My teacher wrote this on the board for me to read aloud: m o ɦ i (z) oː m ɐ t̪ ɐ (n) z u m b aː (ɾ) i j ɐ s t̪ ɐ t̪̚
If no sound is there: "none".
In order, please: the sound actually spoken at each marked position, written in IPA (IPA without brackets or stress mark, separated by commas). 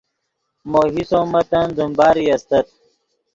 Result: s, n, ɾ